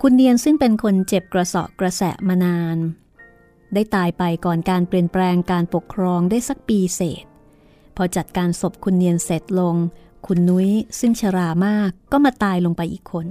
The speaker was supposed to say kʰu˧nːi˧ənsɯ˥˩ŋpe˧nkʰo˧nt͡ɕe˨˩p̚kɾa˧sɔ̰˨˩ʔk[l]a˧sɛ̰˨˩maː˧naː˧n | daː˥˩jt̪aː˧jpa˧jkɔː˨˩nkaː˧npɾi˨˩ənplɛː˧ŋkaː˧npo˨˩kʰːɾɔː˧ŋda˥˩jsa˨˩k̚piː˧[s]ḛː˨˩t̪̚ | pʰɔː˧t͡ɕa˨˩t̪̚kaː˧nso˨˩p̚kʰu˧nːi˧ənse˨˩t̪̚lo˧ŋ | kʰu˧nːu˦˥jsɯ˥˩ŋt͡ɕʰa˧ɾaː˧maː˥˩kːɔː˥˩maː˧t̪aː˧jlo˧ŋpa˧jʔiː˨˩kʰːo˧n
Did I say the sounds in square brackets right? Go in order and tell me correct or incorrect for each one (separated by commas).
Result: incorrect, correct